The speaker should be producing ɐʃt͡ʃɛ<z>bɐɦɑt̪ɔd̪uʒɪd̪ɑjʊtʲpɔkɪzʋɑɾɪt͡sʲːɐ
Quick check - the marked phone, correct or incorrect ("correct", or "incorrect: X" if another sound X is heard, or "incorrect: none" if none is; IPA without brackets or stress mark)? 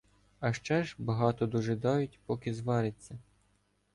incorrect: ʒ